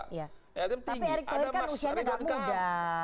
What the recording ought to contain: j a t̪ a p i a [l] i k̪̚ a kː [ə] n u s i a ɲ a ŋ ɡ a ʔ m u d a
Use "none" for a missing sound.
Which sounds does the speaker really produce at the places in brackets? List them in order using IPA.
ɾ, a

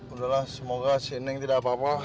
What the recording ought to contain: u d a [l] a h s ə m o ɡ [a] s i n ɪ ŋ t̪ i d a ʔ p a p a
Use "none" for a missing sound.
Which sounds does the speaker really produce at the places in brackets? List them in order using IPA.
l, a

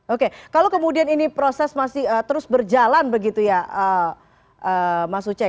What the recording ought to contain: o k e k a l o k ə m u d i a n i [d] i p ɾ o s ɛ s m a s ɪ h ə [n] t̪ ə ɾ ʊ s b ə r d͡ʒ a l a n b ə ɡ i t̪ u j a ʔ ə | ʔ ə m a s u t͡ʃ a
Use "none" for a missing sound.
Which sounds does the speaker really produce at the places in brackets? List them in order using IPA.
n, none

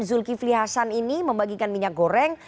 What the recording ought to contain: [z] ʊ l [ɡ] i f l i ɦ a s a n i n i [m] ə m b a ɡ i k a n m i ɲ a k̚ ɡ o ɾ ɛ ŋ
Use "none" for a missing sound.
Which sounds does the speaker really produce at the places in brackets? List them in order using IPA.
z, k, m

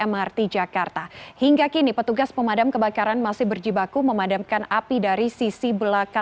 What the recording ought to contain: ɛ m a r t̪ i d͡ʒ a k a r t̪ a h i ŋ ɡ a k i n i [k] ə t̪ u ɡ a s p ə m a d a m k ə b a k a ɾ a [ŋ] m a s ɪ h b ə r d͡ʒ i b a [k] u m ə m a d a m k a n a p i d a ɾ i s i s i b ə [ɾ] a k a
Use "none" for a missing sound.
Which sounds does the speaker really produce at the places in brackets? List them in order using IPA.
p, n, k, l

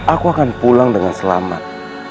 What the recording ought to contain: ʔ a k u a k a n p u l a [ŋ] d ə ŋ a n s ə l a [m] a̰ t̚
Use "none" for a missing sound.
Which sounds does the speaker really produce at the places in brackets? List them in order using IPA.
ŋ, m

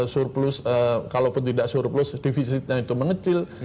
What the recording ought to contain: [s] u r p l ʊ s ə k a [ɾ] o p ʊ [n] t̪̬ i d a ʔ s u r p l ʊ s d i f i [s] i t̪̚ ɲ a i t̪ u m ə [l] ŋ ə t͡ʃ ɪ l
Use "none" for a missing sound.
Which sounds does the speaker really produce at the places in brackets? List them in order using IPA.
s, l, n, s, none

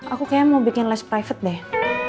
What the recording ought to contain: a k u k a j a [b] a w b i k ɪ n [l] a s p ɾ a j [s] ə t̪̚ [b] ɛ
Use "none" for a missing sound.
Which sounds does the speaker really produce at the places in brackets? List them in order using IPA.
m, l, f, d

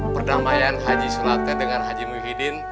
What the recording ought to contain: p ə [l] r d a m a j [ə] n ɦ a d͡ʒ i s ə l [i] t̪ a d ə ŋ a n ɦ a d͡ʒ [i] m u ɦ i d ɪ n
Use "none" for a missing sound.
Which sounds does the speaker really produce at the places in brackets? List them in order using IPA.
none, a, a, i

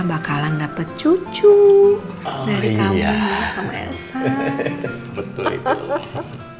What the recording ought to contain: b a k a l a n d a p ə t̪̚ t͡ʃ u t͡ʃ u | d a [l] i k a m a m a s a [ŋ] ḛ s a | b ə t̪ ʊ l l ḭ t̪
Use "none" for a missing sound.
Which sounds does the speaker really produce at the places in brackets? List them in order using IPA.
ɾ, m

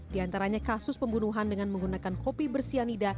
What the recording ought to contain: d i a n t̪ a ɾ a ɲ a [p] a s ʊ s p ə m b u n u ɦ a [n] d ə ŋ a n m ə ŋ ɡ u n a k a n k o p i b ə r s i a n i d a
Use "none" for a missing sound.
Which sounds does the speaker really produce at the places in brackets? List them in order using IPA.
k, n

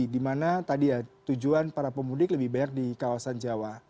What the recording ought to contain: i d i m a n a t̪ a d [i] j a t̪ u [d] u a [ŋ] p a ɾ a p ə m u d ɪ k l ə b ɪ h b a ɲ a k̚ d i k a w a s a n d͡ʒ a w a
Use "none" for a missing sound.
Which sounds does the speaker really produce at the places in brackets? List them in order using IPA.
i, d͡ʒ, n

